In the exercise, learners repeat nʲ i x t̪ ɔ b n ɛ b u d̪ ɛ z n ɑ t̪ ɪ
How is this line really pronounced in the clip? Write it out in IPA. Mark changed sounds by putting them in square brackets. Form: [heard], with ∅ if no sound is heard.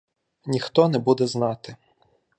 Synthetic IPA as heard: nʲ i x t̪ ɔ [∅] n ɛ b u d̪ ɛ z n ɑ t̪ ɪ